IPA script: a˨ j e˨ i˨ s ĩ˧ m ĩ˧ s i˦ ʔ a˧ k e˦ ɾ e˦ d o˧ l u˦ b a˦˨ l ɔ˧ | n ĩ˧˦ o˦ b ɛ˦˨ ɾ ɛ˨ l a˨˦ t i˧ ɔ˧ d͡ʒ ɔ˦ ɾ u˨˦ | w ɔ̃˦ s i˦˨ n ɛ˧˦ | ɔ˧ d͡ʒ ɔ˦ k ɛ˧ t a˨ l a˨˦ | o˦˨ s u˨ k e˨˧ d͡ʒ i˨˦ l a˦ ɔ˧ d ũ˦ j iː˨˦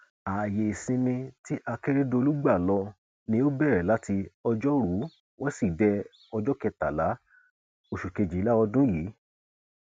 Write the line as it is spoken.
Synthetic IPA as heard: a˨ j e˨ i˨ s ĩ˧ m ĩ˧ t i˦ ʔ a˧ k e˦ ɾ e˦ d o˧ l u˦ ɡ͡b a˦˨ l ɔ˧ | n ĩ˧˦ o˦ b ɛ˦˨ ɾ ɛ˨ l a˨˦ t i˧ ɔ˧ d͡ʒ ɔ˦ ɾ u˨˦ | w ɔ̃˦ s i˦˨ d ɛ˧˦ | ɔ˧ d͡ʒ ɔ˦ k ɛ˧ t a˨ l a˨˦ | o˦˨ ʃ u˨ k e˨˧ d͡ʒ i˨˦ l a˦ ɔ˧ d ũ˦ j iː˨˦